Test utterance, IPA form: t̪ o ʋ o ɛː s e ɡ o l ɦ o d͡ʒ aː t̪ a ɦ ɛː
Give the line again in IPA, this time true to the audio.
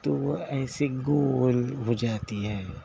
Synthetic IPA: t̪ o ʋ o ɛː s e ɡ o l ɦ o d͡ʒ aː t̪ i ɦ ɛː